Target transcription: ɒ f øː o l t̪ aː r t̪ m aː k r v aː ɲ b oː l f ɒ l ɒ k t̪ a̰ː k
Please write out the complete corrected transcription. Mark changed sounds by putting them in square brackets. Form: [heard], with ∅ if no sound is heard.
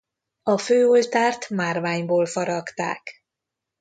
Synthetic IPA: ɒ f øː o l t̪ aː r t̪ m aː [∅] r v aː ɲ b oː l f ɒ [ɾ] ɒ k t̪ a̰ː k